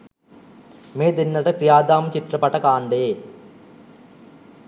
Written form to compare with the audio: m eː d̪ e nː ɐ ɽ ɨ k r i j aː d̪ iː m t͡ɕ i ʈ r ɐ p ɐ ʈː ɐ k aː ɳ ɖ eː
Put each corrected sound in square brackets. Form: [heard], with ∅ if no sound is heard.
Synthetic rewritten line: m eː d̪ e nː ɐ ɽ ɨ [p] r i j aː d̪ [aː] m t͡ɕ i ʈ r ɐ p ɐ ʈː ɐ k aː ɳ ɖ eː

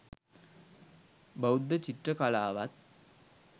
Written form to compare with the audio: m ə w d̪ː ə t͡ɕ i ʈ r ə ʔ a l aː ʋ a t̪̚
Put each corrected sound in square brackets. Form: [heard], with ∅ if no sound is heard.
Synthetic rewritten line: [b] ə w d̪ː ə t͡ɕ i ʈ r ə [k] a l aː ʋ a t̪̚

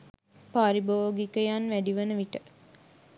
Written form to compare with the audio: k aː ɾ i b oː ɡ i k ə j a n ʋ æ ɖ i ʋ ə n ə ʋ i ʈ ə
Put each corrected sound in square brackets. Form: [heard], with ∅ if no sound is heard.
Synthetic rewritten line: [p] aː ɾ i b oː ɡ i k ə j a n ʋ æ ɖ i ʋ ə n ə ʋ i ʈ ə

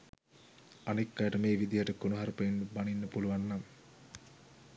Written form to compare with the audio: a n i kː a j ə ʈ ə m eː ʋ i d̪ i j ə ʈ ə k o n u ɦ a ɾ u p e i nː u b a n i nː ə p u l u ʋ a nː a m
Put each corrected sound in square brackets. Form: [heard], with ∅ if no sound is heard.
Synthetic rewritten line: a n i kː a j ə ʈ ə m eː ʋ i d̪ i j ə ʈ ə k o n u ɦ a ɾ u p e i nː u b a n i nː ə p u l u ʋ a nː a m

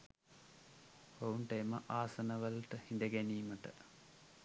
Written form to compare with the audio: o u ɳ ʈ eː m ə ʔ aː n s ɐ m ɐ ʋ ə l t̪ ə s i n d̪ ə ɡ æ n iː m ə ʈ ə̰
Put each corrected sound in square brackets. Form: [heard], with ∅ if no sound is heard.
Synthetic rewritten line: o u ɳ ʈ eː m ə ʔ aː [∅] s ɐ [n] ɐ ʋ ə l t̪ ə [h] i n d̪ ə ɡ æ n iː m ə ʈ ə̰

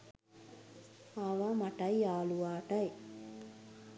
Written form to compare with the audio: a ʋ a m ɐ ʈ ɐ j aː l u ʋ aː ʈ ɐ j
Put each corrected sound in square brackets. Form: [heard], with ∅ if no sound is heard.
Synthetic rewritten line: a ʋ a m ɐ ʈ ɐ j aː l u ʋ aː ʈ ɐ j

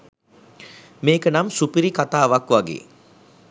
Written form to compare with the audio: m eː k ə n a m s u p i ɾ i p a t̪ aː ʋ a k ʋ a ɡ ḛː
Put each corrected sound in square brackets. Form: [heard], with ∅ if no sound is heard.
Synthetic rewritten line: m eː k ə n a m s u p i ɾ i [k] a t̪ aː ʋ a k ʋ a ɡ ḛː

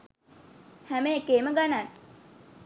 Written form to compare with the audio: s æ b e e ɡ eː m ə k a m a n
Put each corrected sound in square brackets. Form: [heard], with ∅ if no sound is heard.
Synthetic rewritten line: [h] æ [m] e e [k] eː m ə [ɡ] a [n] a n

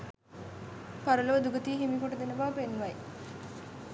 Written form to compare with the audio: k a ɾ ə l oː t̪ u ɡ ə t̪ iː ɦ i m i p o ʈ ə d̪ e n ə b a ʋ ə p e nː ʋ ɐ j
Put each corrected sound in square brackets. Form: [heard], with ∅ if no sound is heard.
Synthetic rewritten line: [p] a ɾ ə l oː [d̪] u ɡ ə t̪ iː ɦ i m i [k] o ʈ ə d̪ e n ə b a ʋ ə p e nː ʋ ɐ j

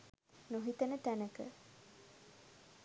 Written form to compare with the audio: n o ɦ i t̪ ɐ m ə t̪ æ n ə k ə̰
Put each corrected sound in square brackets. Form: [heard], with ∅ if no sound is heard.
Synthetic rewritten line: n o ɦ i t̪ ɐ [n] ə t̪ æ n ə k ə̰

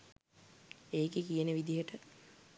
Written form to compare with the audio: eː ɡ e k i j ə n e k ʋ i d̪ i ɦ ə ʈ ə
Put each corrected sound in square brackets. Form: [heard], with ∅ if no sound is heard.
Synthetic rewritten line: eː [k] e k i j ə n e [∅] ʋ i d̪ i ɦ ə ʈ ə

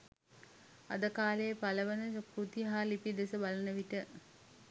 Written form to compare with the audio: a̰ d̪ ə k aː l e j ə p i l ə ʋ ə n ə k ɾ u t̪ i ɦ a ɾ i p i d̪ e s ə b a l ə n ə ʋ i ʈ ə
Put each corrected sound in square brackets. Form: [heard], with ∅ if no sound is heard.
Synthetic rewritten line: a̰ d̪ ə k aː l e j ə p [a] l ə ʋ ə n ə k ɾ u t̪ i ɦ a [l] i p i d̪ e s ə b a l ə n ə ʋ i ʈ ə

